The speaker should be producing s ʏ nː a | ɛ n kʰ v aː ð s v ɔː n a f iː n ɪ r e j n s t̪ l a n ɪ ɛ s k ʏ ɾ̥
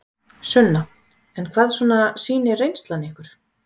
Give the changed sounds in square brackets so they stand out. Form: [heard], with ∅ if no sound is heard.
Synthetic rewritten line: s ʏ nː a | ɛ n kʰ v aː ð s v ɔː n a [s] iː n ɪ r e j n s t̪ l a n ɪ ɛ [h] k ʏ ɾ̥